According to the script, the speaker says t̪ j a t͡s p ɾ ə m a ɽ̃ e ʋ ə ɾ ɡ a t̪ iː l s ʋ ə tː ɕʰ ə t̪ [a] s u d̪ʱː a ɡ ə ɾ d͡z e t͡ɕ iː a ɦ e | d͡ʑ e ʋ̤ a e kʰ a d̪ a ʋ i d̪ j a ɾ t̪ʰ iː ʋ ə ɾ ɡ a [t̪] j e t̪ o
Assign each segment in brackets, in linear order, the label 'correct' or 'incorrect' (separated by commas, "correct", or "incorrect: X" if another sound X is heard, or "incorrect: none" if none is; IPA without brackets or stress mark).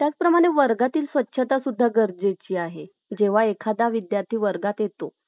correct, correct